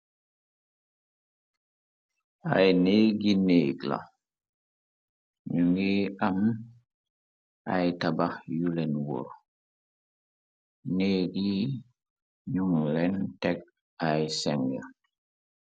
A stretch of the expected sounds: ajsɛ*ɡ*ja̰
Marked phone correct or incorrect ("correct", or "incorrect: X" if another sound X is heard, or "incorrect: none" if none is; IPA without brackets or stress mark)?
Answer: incorrect: ŋ